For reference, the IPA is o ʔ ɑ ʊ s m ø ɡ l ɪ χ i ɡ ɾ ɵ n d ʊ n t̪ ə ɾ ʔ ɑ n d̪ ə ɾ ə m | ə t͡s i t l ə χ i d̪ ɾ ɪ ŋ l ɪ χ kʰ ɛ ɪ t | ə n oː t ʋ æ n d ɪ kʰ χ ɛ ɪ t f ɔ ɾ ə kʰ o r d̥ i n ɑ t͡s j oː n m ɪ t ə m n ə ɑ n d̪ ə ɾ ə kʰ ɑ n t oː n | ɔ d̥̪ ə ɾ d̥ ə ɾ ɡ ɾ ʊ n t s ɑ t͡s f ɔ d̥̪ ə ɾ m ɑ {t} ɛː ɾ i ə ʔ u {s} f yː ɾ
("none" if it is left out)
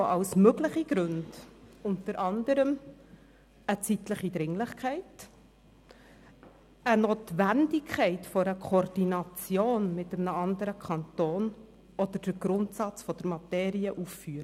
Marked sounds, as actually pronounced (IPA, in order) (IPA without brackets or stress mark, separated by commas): t, f